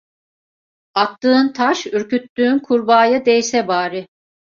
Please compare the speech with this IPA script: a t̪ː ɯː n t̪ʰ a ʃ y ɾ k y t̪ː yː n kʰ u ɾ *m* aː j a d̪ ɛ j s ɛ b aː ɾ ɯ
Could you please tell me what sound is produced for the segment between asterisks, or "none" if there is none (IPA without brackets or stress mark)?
b